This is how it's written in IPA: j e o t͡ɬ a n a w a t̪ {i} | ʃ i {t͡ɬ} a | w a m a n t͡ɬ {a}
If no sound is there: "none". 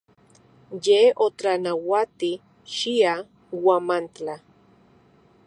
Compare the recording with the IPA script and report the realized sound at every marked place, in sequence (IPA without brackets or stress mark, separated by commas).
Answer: i, none, a